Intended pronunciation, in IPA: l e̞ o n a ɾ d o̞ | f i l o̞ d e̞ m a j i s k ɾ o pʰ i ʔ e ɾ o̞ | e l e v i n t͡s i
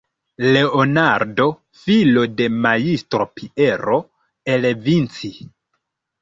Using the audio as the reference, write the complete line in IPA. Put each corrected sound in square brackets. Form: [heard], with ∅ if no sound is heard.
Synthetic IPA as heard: l e̞ o n a ɾ d o̞ | f i l o̞ d e̞ m a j i s [t] ɾ o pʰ i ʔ e ɾ o̞ | e l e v i n t͡s i